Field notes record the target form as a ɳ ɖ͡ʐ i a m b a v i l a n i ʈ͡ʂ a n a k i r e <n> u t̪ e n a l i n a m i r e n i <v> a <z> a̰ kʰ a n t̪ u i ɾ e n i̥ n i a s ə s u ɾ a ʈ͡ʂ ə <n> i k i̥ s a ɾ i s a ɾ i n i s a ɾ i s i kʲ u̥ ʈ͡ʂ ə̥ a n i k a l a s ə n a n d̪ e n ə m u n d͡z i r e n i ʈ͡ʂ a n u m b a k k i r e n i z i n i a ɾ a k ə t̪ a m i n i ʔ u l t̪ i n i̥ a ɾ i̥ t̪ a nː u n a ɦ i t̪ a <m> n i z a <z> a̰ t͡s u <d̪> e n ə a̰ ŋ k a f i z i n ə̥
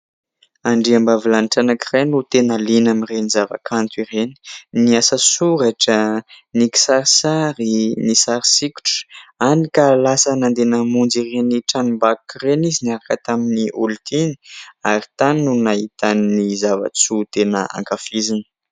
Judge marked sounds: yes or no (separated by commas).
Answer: yes, no, no, yes, no, no, no